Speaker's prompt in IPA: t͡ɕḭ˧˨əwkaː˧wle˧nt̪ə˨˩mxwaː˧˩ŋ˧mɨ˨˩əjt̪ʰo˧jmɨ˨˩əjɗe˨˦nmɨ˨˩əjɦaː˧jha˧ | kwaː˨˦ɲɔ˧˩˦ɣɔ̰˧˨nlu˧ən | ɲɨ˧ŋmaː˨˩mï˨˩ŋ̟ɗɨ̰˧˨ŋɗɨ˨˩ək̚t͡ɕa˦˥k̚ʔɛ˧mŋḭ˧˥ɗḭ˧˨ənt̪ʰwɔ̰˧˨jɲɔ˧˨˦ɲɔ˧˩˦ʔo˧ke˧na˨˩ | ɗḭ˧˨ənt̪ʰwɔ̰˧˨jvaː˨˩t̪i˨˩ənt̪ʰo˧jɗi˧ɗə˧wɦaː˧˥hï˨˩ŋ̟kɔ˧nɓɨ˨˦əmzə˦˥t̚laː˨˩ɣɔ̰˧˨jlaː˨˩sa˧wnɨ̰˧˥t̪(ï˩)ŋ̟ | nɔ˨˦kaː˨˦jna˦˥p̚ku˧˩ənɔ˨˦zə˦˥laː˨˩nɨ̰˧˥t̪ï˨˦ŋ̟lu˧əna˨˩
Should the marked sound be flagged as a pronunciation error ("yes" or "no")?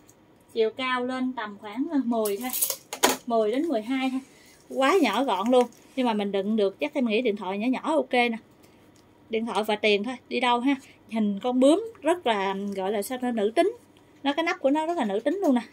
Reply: yes